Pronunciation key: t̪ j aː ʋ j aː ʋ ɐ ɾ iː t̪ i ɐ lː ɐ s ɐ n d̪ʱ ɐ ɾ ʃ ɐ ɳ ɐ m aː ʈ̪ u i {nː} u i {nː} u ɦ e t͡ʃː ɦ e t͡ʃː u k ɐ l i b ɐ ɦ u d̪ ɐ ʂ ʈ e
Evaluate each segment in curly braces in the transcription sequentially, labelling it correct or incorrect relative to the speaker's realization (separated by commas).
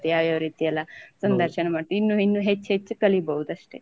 correct, correct